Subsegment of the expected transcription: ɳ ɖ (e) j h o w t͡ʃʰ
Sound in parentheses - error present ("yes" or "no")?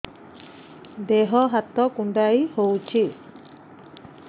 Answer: yes